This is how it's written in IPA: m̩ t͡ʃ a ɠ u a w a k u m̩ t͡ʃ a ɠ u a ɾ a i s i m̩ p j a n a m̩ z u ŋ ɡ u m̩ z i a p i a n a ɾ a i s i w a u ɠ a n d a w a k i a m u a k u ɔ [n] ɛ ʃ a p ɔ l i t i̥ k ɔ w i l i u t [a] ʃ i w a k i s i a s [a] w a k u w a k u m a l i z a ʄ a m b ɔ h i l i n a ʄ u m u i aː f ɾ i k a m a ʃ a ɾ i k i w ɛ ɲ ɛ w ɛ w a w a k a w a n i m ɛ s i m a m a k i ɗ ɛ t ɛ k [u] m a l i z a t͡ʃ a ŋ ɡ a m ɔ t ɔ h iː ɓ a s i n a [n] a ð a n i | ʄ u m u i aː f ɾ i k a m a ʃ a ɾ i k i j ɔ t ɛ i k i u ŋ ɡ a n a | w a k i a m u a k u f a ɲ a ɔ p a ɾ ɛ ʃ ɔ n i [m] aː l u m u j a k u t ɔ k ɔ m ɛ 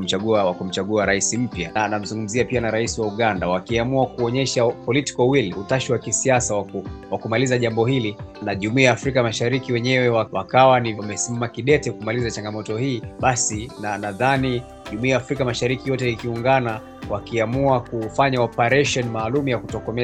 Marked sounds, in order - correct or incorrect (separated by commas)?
incorrect, correct, correct, correct, correct, correct